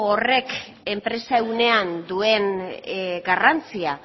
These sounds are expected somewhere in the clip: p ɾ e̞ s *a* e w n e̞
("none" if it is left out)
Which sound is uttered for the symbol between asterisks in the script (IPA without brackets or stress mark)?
a